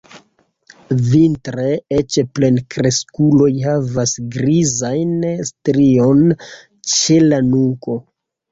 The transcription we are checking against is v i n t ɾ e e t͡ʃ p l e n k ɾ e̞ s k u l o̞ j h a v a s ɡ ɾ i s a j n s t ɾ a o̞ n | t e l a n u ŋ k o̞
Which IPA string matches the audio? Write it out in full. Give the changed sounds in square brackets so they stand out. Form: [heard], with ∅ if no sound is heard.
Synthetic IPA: v i n t ɾ e e t͡ʃ p l e n k ɾ e̞ s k u l o̞ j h a v a s ɡ ɾ i [z] a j n s t ɾ [i] o̞ n | [t͡ʃ] e l a n u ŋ k o̞